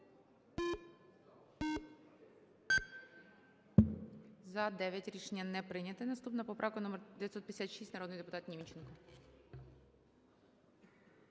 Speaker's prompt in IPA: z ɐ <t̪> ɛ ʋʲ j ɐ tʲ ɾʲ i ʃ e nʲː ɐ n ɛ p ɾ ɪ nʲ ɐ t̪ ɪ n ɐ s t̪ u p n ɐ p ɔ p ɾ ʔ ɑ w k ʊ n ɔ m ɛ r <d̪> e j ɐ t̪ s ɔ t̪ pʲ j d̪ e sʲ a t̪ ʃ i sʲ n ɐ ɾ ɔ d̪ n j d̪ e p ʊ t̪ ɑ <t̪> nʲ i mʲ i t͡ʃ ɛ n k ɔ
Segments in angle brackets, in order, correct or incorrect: incorrect, correct, correct

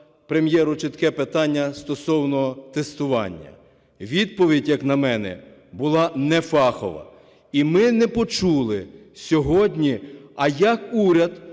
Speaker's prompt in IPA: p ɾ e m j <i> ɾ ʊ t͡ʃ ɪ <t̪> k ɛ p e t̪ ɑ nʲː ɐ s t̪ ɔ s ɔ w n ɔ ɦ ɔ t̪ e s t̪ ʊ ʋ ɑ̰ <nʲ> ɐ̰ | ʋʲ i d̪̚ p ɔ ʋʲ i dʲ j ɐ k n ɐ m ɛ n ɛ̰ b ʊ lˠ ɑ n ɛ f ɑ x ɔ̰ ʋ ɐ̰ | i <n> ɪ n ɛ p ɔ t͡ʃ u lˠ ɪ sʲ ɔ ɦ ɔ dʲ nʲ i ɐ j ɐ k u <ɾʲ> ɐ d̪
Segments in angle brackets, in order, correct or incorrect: incorrect, correct, incorrect, incorrect, correct

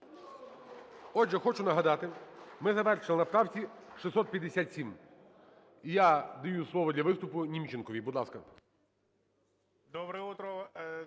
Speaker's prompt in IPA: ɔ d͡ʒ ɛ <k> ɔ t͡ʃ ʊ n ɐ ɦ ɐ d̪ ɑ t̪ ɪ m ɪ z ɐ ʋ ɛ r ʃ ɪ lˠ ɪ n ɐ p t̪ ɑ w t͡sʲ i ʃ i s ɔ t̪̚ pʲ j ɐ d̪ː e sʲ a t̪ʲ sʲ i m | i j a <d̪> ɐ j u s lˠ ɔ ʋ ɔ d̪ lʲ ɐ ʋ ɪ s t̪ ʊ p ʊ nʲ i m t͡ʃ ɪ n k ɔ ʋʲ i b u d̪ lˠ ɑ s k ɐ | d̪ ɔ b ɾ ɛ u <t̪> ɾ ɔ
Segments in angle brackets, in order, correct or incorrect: incorrect, correct, correct

